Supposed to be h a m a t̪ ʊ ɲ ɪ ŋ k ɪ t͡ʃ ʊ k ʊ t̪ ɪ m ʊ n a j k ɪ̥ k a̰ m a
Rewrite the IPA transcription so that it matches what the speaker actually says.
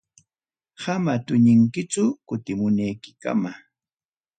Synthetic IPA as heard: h a m a t̪ ʊ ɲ ɪ ŋ k ɪ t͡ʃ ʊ k ʊ t̪ ɪ m ʊ n a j k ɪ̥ k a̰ m a